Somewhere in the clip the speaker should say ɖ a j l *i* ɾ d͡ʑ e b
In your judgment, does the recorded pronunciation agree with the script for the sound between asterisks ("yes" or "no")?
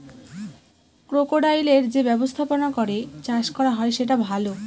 no